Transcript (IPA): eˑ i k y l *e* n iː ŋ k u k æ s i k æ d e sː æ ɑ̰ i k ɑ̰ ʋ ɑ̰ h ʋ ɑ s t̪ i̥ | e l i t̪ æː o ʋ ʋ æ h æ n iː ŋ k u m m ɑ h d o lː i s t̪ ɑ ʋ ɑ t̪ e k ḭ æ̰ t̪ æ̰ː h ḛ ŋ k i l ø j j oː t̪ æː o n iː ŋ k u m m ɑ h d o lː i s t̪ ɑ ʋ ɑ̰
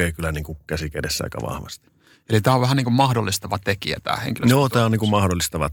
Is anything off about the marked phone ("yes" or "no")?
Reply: yes